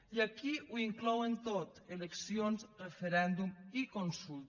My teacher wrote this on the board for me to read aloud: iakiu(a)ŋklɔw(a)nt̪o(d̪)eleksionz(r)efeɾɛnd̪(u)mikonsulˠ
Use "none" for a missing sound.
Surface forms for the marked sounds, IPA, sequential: i, e, t̪, r, u

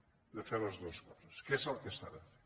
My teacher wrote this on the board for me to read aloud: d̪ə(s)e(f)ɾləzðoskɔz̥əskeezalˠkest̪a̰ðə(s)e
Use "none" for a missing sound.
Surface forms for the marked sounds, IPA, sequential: f, none, f

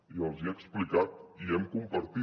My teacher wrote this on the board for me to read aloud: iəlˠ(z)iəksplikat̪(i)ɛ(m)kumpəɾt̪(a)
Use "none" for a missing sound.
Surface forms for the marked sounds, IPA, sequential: z, i, m, i

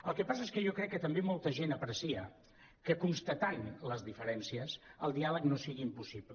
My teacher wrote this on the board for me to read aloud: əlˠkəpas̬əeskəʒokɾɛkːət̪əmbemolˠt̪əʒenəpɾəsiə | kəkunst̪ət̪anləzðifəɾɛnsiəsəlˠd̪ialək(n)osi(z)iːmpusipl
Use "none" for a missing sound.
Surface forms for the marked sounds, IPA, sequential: n, ɣ

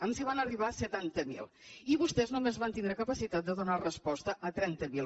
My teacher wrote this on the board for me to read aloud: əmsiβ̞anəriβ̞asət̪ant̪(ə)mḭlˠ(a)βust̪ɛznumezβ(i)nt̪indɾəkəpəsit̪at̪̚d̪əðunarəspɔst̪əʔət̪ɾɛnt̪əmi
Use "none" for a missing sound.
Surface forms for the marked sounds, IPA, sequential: ə, i, a

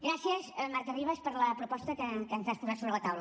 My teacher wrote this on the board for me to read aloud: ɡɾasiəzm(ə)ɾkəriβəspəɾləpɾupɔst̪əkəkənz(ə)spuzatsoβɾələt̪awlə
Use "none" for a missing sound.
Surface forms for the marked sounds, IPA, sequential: a, a

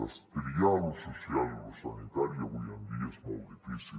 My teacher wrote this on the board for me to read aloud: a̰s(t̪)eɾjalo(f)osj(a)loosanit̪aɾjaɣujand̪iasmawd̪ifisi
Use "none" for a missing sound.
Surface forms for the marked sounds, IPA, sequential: t̪, s, a

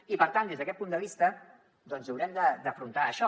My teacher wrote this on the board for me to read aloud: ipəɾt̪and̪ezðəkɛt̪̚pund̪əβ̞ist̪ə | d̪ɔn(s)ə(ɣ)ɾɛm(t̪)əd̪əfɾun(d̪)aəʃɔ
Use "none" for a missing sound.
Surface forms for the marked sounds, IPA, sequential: z, w, d̪, t̪

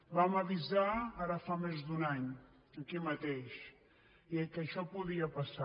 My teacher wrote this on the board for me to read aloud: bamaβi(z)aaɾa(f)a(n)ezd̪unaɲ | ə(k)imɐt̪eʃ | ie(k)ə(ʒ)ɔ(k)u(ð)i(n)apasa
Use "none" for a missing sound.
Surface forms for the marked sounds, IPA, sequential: z, f, m, k, k, ʃ, p, ð, none

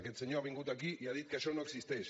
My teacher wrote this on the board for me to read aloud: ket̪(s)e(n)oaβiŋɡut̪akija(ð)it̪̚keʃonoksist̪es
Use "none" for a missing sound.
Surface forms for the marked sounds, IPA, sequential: s, ɲ, ð

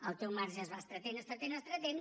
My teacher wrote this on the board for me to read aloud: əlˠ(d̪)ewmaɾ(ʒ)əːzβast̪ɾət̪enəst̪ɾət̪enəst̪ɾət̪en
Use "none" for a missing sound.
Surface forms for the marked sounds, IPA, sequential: t̪, ʒ

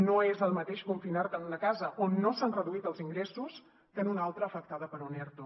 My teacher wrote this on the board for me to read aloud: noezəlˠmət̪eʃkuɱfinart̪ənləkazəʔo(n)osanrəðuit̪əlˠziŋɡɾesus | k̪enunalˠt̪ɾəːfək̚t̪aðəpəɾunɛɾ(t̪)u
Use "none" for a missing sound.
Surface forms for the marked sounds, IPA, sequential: nː, t̪

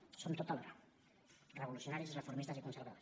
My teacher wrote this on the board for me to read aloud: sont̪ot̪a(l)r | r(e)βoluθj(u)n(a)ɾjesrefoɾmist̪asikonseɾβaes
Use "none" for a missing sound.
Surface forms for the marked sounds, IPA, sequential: l, e, o, a

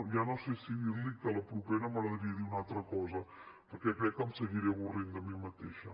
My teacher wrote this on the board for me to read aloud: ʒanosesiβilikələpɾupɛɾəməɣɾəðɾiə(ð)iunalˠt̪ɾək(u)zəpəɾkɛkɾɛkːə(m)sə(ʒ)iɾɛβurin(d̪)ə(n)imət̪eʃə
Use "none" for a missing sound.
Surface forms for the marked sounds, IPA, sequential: ð, ɔ, m, ɣ, d̪, m

